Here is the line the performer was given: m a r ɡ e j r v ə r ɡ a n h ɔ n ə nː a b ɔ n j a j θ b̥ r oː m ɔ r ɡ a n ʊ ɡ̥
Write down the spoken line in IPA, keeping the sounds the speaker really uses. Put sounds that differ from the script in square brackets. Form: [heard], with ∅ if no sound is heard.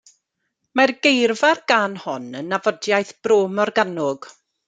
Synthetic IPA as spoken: m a r ɡ e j r v [a] r ɡ a n h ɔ n ə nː a [v] ɔ [d] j a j θ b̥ r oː m ɔ r ɡ a n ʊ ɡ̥